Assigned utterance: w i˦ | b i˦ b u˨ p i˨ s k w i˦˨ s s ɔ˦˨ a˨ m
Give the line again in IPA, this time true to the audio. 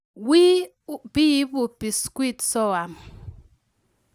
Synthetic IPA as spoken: w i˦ | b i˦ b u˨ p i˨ s k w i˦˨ t s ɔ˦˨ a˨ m